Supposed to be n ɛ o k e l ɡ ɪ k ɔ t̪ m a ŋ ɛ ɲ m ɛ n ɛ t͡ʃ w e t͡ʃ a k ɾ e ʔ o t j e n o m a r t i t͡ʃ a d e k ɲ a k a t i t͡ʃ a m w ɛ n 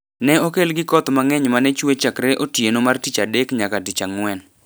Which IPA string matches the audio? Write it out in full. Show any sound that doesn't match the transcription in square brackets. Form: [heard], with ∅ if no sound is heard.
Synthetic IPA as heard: n ɛ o k e l ɡ ɪ k ɔ t̪ m a ŋ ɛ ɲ m [a] n ɛ t͡ʃ w e t͡ʃ a k ɾ e ʔ o t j e n o m a r t i t͡ʃ a d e k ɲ a k a t i t͡ʃ a [ŋ] w ɛ n